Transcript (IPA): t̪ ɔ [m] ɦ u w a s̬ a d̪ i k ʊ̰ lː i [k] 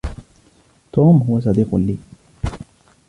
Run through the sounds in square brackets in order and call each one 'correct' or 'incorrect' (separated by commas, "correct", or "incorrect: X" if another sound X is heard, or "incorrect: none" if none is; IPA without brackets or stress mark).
correct, incorrect: none